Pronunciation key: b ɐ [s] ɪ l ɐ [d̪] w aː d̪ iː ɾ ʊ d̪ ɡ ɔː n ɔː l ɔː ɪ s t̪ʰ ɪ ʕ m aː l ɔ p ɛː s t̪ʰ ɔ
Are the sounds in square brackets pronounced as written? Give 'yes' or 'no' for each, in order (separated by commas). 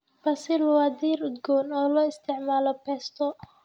yes, no